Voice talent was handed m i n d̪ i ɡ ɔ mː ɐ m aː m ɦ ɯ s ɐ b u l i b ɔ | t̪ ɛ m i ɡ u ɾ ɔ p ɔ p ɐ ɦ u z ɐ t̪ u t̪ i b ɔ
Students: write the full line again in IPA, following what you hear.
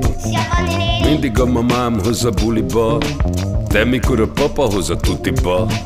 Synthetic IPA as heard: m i n d̪ i ɡ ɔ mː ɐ m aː m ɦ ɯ z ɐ b u l i b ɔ | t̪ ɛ m i k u ɾ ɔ p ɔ p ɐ ɦ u z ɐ t̪ u t̪ i b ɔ